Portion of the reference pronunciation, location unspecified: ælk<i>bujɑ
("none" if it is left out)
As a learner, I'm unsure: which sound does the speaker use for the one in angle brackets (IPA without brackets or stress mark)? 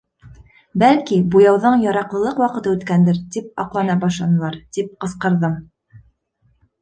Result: i